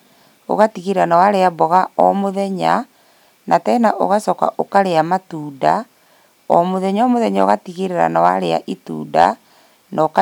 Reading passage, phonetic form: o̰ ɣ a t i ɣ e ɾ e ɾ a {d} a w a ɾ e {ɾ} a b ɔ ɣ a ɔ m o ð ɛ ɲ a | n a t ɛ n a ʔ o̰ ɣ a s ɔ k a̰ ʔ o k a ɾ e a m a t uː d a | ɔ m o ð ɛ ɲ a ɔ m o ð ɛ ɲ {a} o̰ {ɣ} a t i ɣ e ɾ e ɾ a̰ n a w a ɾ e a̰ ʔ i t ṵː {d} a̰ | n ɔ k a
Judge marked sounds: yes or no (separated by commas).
no, no, yes, yes, yes